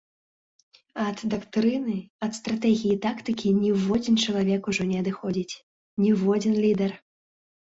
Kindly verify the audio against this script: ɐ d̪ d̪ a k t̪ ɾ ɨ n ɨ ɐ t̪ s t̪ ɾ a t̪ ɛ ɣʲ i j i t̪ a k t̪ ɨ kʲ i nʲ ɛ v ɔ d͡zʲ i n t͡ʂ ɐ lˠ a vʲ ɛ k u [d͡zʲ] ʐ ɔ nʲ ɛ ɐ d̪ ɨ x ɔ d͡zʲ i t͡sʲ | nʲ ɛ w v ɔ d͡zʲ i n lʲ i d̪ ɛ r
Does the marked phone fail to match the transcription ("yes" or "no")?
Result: yes